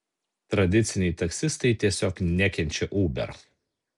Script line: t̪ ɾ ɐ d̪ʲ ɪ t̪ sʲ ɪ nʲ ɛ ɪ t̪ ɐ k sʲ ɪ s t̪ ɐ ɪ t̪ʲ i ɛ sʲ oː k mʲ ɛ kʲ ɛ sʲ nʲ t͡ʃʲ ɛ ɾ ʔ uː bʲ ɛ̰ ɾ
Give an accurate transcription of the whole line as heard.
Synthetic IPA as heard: t̪ ɾ ɐ d̪ʲ ɪ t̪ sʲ ɪ nʲ ɛ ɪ t̪ ɐ k sʲ ɪ s t̪ ɐ ɪ t̪ʲ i ɛ sʲ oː k nʲ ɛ kʲ ɛ nʲ t͡ʃʲ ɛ ʔ uː bʲ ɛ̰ ɾ